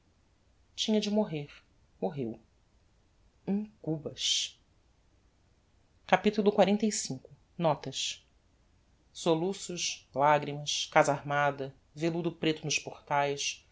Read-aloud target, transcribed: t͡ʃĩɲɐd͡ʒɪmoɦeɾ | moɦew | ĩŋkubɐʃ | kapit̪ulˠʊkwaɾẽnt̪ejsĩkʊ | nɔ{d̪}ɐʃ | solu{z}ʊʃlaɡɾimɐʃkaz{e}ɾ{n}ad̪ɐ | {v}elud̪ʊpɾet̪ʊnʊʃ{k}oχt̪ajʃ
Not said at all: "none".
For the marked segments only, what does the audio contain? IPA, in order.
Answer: t̪, s, a, m, v, p

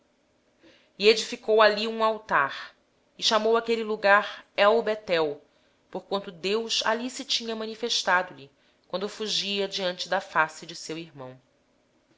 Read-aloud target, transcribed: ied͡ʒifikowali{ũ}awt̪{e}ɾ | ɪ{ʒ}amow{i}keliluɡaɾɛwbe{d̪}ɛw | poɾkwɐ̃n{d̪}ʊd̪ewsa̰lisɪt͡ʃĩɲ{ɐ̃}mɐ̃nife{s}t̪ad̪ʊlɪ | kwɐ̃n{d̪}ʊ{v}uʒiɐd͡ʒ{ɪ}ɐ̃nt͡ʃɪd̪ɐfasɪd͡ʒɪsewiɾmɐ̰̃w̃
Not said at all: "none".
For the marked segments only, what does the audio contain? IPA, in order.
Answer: ũ, a, ʃ, a, t̪, t̪, ɐ, ʃ, d̪, f, i

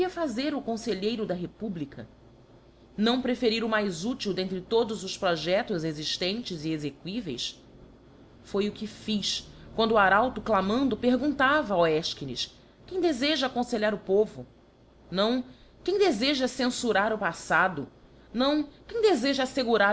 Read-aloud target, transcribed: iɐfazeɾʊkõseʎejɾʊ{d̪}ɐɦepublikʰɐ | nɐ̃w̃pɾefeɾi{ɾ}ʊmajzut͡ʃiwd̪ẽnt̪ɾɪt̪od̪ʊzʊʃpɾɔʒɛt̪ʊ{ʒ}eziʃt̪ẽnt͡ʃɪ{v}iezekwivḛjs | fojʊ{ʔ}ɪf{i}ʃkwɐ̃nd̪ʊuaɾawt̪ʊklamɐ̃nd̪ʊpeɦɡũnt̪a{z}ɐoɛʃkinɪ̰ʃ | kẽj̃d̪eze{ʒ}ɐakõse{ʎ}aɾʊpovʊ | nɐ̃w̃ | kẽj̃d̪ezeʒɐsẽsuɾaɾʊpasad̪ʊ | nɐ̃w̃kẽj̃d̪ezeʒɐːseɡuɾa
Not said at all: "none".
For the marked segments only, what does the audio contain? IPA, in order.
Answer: d̪, ɾ, z, z, k, i, v, ʒ, ʎ

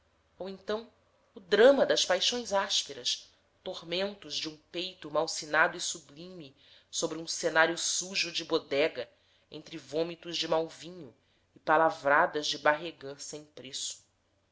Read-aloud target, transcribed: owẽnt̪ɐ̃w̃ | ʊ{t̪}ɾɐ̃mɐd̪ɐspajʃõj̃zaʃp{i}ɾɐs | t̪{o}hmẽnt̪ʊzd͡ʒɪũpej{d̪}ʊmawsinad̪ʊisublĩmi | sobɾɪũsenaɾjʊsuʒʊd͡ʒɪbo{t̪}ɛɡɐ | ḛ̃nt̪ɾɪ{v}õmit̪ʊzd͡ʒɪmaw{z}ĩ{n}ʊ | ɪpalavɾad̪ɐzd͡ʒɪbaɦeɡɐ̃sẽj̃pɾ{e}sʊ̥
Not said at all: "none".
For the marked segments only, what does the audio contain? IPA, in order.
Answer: d̪, e, o, t̪, d̪, v, v, ɲ, e

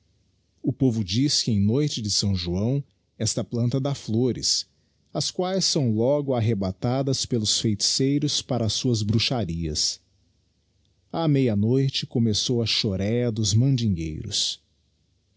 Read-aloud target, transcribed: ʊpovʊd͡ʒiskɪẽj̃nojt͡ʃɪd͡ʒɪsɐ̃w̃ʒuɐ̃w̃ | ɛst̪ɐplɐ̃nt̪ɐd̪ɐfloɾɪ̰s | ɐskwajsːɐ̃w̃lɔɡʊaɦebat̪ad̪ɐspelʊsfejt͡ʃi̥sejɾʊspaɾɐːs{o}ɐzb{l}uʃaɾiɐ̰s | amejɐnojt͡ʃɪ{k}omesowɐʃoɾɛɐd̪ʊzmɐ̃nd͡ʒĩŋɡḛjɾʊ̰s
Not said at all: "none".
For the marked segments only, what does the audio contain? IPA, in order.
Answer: u, ɾ, k

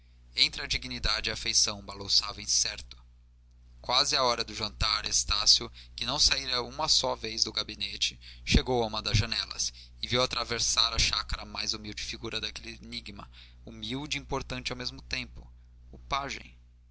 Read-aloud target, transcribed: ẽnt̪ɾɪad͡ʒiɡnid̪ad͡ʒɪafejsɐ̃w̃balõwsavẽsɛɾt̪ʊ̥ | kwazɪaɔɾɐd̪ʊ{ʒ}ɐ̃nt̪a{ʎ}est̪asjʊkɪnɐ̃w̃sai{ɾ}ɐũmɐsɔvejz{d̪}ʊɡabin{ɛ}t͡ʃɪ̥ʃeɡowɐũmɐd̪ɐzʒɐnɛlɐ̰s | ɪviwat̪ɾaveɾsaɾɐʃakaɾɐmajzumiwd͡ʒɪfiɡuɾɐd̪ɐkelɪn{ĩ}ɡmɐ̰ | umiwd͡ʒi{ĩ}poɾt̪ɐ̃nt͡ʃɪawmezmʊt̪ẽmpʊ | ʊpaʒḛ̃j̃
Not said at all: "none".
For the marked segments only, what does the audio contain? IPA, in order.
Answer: ʒ, ɾ, ɾ, d̪, e, i, ĩ

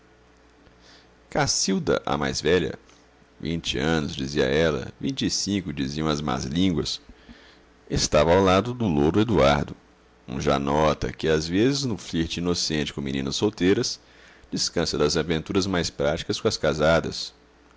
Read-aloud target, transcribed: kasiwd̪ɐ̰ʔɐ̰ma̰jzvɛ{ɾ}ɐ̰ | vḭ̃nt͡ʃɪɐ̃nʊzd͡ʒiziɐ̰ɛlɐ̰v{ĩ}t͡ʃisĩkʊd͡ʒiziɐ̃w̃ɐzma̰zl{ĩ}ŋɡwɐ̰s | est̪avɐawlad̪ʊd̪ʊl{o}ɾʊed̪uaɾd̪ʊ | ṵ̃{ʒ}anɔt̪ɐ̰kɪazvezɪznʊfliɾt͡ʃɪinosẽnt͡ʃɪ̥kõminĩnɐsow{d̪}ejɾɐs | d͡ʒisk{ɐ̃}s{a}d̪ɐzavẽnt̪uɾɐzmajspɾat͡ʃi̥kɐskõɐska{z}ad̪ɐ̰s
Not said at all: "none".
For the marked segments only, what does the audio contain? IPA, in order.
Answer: ʎ, ĩ, ĩ, o, ʒ, t̪, ɐ̃, ɐ, z

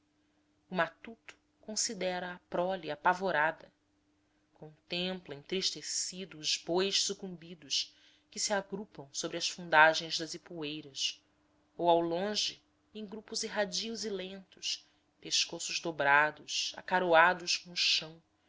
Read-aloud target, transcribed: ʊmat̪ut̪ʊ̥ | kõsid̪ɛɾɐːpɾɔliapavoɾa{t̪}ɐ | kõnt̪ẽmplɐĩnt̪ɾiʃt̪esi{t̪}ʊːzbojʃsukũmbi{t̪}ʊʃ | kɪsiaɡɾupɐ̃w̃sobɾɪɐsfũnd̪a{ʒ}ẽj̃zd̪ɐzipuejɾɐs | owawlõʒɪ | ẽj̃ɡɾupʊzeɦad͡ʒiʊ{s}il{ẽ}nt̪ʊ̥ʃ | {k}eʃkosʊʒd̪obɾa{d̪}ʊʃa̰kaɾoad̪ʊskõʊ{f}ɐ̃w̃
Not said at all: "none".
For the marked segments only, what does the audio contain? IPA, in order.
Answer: d̪, d̪, d̪, ʒ, z, ẽ, p, d̪, ʃ

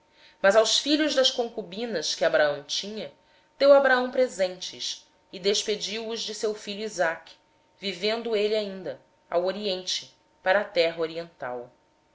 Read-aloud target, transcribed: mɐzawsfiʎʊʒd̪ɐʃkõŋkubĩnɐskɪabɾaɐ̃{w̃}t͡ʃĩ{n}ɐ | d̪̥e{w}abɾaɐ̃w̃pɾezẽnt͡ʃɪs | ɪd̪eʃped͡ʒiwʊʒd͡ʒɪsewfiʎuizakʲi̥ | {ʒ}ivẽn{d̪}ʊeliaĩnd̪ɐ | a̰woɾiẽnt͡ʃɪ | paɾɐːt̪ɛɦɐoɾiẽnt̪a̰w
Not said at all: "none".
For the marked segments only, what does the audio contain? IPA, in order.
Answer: w̃, ɲ, w, v, d̪

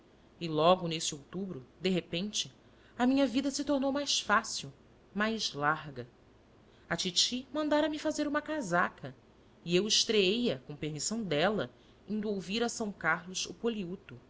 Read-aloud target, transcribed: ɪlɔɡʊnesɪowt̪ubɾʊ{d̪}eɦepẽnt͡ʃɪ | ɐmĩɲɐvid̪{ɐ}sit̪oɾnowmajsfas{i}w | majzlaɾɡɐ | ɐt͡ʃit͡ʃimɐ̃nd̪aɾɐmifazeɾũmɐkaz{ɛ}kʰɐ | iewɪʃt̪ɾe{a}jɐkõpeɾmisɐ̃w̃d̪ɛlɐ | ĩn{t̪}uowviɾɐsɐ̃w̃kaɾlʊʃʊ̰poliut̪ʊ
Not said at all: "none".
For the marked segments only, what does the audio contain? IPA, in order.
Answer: d̪, ɐ, i, a, e, d̪

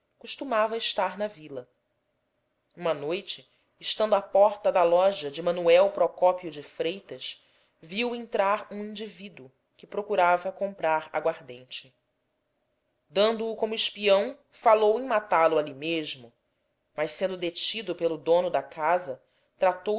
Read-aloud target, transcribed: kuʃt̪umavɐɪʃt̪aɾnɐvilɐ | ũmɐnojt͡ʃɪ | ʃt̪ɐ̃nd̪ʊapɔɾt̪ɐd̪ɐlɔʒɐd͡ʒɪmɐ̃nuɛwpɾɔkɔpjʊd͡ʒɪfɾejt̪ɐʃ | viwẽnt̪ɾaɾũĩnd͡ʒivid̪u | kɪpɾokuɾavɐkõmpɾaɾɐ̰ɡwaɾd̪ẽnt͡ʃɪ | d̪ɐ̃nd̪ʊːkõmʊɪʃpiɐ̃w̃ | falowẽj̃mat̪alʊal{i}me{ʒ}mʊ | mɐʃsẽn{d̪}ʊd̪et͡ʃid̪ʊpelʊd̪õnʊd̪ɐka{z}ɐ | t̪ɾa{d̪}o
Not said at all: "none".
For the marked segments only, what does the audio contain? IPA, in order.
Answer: i, ʒ, d̪, z, t̪

